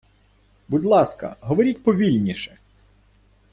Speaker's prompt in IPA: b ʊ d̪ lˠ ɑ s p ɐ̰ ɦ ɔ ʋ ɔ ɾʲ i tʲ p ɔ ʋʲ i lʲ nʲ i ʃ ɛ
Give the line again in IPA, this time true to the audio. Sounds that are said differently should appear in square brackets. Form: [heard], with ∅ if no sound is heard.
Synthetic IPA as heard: b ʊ d̪ lˠ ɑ s [k] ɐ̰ ɦ ɔ ʋ ɔ ɾʲ i tʲ p ɔ ʋʲ i lʲ nʲ i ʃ ɛ